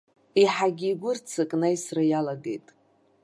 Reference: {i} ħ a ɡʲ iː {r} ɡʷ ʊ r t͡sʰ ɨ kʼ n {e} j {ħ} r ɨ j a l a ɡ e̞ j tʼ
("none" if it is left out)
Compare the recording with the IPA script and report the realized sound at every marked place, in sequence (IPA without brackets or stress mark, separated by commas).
i, none, a, s